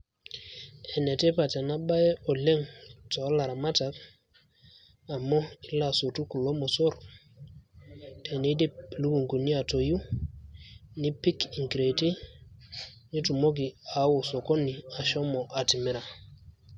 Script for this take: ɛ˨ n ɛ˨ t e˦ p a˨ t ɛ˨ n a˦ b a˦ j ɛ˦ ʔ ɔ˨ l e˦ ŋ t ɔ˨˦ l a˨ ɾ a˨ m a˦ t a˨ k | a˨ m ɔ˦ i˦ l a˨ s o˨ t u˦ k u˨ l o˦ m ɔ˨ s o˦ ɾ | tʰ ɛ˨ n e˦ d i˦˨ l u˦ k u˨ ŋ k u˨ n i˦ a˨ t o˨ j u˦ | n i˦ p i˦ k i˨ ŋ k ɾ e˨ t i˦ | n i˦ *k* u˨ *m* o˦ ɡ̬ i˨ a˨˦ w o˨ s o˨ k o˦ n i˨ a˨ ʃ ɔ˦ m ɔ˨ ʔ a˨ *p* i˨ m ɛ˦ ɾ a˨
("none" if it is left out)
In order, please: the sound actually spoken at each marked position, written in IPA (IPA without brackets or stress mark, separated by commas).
t, m, t